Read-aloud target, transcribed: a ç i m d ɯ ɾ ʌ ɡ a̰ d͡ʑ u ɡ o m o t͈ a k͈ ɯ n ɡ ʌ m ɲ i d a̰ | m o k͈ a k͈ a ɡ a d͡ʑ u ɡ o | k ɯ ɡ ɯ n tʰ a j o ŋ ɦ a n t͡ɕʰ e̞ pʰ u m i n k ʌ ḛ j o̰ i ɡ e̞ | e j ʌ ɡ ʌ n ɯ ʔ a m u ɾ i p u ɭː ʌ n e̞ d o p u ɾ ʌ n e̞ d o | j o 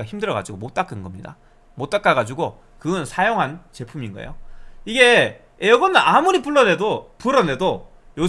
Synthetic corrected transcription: a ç i m d ɯ ɾ ʌ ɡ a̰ d͡ʑ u ɡ o m o t͈ a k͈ ɯ n ɡ ʌ m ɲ i d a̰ | m o t͈ a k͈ a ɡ a d͡ʑ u ɡ o | k ɯ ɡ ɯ n sʰ a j o ŋ ɦ a n t͡ɕ e̞ pʰ u m i n ɡ ʌ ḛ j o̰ i ɡ e̞ | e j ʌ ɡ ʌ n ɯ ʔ a m u ɾ i p u ɭː ʌ n e̞ d o p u ɾ ʌ n e̞ d o | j o